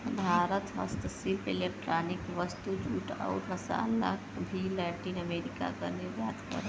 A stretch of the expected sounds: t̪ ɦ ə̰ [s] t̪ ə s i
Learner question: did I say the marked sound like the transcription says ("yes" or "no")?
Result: yes